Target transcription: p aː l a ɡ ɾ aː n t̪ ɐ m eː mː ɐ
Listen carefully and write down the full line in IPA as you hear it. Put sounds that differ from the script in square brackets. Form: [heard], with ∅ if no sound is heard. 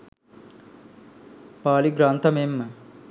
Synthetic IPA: p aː l [i] ɡ ɾ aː n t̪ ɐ m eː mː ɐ